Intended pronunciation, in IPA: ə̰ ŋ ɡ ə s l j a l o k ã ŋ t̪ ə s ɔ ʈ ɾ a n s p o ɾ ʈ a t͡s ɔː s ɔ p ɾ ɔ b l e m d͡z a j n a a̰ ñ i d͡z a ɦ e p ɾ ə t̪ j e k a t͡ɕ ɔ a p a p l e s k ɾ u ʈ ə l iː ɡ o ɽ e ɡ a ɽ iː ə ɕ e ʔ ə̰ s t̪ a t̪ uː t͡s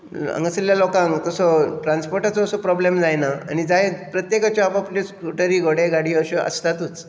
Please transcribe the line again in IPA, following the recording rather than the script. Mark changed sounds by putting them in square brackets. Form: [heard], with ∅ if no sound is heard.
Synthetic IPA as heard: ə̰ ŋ ɡ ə s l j a l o k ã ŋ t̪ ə s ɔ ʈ ɾ a n s p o ɾ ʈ a t͡s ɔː s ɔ p ɾ ɔ b l e m d͡z a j n a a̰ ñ i d͡z a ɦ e p ɾ ə t̪ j e k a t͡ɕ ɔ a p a p l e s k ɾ u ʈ ə [ɾ] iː ɡ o ɽ e ɡ a ɽ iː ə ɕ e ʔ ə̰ s t̪ a t̪ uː t͡s